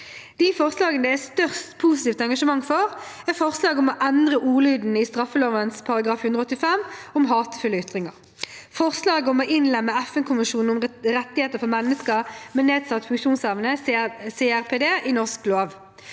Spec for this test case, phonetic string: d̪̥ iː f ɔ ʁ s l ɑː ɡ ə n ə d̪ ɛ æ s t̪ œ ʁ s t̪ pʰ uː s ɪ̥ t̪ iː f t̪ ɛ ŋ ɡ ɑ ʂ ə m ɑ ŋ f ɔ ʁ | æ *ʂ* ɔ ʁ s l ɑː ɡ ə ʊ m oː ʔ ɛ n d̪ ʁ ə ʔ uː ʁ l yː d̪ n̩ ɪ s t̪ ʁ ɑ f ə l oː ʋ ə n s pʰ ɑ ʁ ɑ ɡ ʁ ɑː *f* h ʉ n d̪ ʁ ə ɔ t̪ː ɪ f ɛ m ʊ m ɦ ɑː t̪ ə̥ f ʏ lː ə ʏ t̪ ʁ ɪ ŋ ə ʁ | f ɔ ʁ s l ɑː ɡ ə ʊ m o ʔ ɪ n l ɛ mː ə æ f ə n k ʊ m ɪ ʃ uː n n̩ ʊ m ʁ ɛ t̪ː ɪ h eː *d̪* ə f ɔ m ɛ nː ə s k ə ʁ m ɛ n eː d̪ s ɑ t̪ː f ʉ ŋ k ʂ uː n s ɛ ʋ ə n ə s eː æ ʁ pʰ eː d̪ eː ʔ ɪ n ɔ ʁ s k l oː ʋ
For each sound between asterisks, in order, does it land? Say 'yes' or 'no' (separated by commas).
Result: no, yes, no